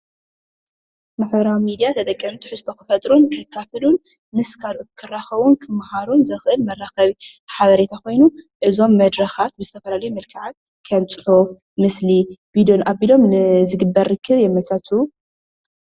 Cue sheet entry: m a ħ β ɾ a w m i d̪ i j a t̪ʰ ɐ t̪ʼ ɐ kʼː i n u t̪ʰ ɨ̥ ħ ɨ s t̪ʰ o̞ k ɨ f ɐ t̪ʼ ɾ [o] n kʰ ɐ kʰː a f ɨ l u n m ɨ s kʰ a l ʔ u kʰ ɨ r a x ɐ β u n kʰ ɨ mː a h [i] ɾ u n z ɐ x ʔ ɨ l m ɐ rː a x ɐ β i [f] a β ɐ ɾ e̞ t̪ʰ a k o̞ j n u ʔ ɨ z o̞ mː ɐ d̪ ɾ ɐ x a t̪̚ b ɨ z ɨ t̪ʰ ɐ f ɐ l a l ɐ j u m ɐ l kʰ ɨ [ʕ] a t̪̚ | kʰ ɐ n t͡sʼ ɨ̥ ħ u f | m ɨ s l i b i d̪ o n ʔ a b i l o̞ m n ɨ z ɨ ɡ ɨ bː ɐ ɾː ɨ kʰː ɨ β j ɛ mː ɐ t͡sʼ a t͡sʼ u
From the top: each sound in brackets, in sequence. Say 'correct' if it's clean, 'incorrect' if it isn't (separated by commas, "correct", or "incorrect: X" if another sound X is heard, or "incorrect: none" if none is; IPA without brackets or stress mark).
incorrect: u, incorrect: a, incorrect: ħ, correct